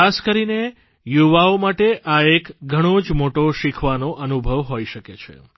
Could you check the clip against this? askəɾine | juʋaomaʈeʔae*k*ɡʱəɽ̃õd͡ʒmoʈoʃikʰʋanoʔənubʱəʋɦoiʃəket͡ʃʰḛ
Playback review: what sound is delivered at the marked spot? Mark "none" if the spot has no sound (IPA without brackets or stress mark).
k